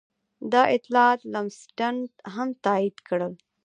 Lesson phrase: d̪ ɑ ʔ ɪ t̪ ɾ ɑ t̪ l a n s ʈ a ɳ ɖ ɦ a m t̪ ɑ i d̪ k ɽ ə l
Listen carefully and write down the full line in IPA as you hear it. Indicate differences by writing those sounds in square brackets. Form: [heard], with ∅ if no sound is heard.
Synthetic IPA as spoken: d̪ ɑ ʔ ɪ t̪ [l] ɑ t̪ l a [m] s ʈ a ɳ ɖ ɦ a m t̪ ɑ i d̪ k ɽ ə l